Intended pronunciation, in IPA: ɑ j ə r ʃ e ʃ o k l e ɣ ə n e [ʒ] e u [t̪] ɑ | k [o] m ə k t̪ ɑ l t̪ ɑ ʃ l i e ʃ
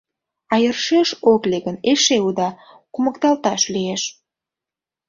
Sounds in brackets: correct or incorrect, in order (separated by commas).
incorrect, incorrect, incorrect